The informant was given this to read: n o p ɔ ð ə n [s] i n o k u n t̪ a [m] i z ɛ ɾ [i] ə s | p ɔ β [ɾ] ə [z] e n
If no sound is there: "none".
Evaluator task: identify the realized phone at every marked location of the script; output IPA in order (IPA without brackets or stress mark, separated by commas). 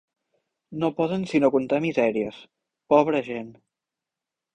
s, m, i, ɾ, ʒ